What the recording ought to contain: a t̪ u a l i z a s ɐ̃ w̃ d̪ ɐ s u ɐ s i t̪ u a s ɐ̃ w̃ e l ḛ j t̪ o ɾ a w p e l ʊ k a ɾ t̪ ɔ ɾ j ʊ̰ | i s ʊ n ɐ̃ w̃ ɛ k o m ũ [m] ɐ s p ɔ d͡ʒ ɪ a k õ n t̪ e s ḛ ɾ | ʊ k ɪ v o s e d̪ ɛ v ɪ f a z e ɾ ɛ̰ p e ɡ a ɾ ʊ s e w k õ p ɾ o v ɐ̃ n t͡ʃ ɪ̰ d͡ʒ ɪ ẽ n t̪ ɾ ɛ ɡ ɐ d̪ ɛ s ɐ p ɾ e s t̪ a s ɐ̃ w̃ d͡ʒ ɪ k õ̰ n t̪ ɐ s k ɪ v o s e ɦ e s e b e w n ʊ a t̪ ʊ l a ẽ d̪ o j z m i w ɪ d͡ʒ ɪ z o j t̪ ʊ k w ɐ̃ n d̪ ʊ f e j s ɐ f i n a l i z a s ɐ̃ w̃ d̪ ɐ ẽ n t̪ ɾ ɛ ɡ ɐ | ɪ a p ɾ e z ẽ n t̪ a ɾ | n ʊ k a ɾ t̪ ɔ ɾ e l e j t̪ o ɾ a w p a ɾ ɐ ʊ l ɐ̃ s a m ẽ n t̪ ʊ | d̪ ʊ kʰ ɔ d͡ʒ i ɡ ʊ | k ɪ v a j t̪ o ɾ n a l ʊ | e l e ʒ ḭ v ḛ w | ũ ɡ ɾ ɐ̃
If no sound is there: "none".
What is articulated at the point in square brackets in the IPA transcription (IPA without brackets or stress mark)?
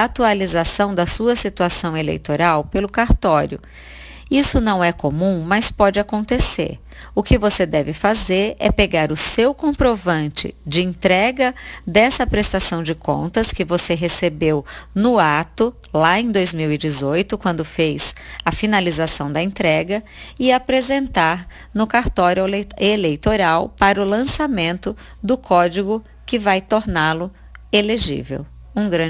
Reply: m